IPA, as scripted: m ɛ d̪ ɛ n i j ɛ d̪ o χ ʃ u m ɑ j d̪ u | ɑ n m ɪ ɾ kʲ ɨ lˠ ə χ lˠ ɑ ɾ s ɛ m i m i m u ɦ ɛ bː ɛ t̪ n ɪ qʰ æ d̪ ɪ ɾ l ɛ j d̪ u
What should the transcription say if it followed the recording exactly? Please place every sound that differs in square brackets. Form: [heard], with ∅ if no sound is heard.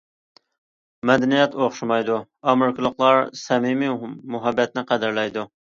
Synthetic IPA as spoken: m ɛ d̪ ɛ n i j ɛ [t̪] o χ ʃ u m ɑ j d̪ u | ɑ [∅] m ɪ ɾ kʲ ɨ lˠ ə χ lˠ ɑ ɾ s ɛ m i m i m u ɦ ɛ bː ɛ t̪ n ɪ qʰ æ d̪ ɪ ɾ l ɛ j d̪ u